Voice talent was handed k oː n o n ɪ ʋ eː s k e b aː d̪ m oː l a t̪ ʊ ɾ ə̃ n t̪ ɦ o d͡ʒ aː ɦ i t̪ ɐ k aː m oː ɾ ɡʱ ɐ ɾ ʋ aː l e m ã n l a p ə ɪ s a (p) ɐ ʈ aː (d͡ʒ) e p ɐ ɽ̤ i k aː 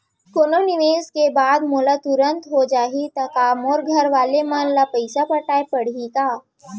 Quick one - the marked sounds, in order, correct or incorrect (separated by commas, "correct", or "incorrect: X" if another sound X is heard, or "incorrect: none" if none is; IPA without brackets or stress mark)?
correct, incorrect: none